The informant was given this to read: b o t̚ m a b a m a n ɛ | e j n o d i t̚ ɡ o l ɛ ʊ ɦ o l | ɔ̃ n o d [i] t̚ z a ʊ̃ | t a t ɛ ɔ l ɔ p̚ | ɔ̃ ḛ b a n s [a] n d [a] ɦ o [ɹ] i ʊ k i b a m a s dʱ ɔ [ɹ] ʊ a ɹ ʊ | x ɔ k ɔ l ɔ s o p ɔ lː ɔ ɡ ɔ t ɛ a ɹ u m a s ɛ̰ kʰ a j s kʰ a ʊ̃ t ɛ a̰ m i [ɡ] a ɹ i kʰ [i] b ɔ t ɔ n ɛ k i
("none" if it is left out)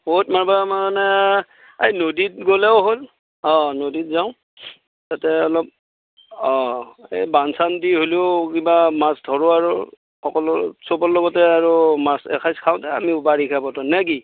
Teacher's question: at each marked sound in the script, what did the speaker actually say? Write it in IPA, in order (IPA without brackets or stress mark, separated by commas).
i, a, i, l, ɹ, b, a